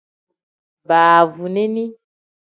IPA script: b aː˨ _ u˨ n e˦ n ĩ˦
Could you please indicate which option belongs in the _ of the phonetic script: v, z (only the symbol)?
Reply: v